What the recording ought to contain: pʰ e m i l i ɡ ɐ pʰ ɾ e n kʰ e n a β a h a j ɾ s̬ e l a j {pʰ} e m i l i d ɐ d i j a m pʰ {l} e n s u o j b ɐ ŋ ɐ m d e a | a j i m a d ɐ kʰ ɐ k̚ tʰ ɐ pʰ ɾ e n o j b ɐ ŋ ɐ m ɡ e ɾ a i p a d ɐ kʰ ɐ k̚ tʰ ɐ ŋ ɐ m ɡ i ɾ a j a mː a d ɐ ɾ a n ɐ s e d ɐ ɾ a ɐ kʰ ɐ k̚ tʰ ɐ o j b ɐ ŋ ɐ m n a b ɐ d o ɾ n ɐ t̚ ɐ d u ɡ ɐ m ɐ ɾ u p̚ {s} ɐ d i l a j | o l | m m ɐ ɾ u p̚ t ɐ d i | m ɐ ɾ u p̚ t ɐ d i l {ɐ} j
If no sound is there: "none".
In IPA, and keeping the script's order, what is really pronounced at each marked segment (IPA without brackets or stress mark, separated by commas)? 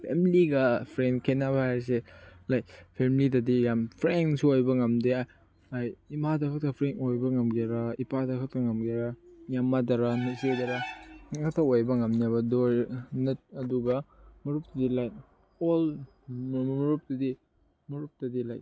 pʰ, ɾ, t, a